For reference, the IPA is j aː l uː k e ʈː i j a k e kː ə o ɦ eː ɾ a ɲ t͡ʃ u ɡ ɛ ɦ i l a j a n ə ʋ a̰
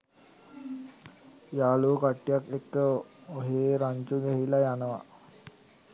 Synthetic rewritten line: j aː l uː k a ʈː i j a k e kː ə o ɦ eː ɾ a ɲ t͡ʃ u ɡ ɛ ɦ i l a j a n ə ʋ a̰